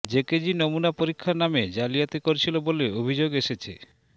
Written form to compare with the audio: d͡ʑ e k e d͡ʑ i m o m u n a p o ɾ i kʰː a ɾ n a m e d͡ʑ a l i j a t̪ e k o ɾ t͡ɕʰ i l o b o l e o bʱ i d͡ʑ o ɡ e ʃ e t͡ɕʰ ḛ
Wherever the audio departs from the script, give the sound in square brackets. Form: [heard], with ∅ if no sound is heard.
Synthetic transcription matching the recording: d͡ʑ e k e d͡ʑ i [n] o m u n a p o ɾ i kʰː a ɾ n a m e d͡ʑ a l i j a t̪ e k o ɾ t͡ɕʰ i l o b o l e o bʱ i d͡ʑ o ɡ e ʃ e t͡ɕʰ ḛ